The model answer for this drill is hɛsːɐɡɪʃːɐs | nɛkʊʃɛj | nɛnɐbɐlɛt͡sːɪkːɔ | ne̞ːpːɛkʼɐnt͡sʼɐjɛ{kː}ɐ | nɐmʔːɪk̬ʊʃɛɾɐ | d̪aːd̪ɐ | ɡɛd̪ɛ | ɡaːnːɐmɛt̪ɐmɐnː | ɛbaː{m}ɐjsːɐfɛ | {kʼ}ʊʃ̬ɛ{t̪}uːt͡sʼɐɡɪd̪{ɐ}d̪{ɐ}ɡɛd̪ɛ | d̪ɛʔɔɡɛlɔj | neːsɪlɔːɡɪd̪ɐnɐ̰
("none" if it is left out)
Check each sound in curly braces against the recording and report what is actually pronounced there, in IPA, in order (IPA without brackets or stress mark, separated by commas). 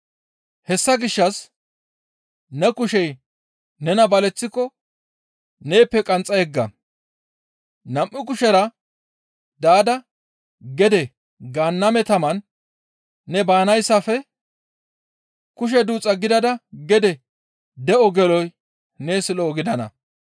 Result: ɡː, n, k, d̪, ɐ, ɐ